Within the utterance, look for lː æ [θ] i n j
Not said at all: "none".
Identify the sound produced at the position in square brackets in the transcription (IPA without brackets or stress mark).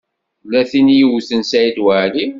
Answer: θ